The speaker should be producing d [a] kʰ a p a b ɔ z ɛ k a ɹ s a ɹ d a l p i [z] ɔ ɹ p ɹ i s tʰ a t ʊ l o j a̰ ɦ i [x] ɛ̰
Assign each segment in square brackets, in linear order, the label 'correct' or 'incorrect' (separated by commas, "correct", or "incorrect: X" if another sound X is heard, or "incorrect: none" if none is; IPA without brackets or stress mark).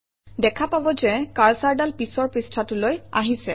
incorrect: ɛ, incorrect: s, incorrect: s